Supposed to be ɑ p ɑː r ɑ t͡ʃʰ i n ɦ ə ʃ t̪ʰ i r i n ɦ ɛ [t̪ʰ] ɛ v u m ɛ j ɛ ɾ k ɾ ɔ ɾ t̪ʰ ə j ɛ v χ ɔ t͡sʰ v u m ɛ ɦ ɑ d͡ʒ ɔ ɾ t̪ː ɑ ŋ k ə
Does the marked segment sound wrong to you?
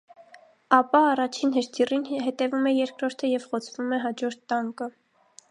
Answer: yes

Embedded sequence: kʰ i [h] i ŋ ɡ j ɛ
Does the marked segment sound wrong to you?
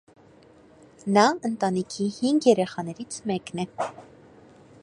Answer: no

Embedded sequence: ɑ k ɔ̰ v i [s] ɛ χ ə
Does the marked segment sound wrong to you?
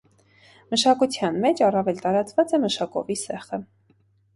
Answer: no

